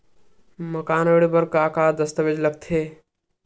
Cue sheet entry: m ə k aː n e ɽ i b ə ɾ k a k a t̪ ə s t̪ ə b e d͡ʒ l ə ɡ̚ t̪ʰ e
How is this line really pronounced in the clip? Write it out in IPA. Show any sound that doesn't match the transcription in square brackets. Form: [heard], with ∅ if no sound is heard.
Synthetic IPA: m ə k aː n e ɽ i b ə ɾ k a k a [d̪] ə s t̪ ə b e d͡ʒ l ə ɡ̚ t̪ʰ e